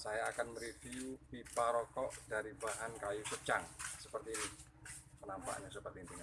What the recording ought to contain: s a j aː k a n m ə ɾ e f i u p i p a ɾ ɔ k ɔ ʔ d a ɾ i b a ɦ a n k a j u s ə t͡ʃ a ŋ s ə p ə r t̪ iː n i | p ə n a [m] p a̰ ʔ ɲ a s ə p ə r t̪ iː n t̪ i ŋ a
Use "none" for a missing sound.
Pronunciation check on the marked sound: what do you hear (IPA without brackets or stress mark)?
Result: m